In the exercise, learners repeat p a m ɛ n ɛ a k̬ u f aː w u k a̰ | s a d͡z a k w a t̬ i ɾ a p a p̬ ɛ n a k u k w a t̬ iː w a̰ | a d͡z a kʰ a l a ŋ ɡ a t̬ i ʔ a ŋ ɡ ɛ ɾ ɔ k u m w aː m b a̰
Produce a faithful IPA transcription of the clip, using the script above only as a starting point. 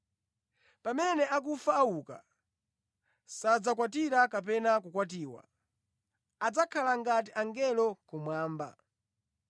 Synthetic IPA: p a m ɛ n ɛ a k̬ u f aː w u k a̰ | s a d͡z a k w a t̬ i ɾ a k a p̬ ɛ n a k u k w a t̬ iː w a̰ | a d͡z a kʰ a l a ŋ ɡ a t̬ i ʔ a ŋ ɡ ɛ l ɔ k u m w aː m b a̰